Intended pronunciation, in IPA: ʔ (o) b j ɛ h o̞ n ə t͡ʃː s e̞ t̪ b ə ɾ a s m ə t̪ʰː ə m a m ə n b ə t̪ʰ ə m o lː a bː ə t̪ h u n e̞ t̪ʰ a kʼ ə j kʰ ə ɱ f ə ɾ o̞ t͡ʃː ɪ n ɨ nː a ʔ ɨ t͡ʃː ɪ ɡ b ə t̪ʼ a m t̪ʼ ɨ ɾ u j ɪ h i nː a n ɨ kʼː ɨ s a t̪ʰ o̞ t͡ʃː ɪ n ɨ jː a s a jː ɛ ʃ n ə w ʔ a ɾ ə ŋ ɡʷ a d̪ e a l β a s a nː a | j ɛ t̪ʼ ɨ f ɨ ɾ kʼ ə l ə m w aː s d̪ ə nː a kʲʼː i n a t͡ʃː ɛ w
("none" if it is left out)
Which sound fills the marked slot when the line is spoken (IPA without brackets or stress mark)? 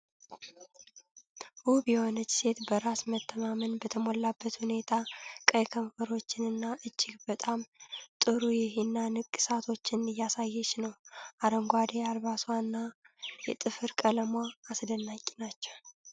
u